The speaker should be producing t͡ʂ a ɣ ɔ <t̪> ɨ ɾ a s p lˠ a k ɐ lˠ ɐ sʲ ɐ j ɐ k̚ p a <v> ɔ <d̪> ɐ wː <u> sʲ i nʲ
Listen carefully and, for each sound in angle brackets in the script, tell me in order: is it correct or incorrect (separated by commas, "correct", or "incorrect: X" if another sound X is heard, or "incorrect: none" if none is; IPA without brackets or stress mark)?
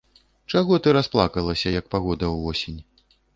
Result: correct, incorrect: ɣ, correct, incorrect: ɔ